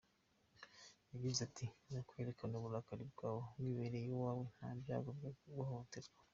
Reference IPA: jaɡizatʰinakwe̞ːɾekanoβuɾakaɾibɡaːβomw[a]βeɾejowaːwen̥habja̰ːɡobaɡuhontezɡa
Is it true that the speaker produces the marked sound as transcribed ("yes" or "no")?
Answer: no